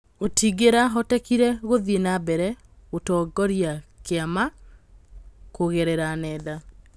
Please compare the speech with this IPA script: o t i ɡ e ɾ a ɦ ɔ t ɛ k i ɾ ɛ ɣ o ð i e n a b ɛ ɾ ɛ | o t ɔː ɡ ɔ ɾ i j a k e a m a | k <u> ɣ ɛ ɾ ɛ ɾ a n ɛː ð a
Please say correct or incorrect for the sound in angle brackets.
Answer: incorrect